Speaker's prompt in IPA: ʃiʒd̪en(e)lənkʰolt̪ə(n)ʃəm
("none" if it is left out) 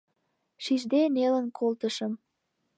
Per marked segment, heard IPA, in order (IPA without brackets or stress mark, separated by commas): e, none